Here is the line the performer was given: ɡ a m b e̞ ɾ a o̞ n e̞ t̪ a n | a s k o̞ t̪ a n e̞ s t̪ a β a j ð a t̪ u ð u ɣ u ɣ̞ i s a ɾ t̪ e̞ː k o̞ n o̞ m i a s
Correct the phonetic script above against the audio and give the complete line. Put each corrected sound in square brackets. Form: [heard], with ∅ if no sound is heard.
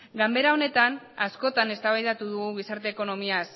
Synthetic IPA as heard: ɡ a m b e̞ ɾ a o̞ n e̞ t̪ a n | a s k o̞ t̪ a n e̞ s t̪ a β a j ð a t̪ u ð u ɣ u ɣ̞ i s a ɾ t̪ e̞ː k o̞ n o̞ m i a s